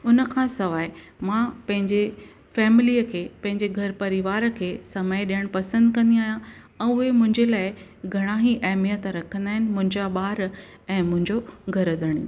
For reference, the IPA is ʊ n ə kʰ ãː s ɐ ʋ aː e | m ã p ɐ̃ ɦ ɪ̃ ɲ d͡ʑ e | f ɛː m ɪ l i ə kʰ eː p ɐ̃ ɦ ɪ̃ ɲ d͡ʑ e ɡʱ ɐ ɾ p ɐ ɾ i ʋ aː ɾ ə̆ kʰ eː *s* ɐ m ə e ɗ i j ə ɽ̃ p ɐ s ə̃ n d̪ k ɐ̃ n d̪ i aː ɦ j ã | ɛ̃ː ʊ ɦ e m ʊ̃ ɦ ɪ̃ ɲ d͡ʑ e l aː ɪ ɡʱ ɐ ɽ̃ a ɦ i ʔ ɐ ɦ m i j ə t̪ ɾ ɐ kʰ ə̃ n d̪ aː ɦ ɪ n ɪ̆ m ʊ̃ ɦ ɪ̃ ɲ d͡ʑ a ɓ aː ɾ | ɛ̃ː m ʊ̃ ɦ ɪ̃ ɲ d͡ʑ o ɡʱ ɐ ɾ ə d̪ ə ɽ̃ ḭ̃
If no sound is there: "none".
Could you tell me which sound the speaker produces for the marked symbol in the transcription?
s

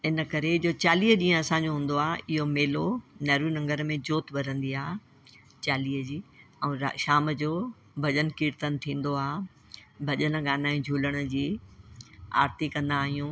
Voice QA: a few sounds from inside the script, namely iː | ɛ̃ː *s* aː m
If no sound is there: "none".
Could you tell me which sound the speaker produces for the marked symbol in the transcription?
ʃ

